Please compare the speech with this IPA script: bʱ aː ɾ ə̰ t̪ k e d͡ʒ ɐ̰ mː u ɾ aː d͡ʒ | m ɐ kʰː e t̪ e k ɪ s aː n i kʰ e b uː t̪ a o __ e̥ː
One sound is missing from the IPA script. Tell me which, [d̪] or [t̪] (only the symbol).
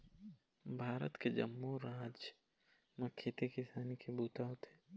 t̪